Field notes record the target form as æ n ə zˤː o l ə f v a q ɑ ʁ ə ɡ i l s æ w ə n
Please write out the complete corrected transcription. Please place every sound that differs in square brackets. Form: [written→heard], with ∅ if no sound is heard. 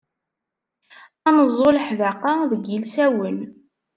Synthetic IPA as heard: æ n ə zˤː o l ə [f→ħ] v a q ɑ [ʁ→ð] ə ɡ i l s æ w ə n